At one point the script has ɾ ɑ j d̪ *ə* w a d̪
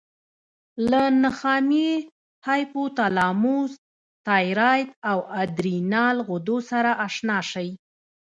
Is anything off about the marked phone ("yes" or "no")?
yes